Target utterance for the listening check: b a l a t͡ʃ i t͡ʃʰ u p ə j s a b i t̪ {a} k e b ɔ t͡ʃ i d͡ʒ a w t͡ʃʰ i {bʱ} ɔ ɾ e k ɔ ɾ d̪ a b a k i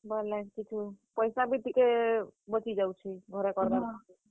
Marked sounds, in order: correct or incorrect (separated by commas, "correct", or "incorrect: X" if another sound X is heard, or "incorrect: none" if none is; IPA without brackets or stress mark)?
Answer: incorrect: i, incorrect: ɡʱ